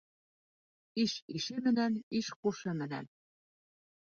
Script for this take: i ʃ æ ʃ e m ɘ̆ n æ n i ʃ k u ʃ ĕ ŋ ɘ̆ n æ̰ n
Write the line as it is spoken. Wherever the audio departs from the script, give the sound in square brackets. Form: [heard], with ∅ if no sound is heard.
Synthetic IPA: i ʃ [i] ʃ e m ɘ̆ n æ n i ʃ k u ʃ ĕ [m] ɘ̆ n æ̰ n